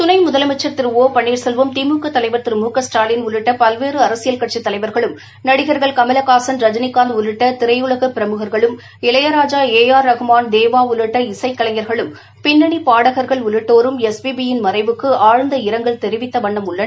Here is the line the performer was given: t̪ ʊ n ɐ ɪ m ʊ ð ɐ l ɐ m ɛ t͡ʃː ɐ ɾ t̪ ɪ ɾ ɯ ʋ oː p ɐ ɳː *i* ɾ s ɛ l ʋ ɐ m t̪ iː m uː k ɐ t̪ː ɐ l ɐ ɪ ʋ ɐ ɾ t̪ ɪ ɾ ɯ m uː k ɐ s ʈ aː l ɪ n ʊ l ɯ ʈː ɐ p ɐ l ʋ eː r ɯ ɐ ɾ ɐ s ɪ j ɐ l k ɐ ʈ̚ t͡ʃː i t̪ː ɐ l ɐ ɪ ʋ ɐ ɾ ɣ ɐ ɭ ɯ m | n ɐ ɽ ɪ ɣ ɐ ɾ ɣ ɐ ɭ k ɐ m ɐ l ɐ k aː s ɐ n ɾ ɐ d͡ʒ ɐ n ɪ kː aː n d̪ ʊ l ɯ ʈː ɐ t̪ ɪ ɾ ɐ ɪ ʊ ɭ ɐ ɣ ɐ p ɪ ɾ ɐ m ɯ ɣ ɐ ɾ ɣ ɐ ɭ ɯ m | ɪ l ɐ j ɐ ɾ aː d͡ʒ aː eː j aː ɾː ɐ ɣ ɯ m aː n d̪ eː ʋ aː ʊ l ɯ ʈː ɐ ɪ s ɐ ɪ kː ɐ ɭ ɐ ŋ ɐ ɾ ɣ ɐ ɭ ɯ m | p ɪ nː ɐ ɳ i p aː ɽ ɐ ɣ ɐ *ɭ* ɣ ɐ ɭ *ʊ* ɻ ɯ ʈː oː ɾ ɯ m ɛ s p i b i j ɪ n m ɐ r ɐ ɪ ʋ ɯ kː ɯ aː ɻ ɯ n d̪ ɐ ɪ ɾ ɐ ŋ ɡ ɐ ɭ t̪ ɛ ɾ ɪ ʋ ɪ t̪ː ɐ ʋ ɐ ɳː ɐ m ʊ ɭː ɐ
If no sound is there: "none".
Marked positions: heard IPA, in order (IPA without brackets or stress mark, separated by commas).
iː, ɾ, ʊ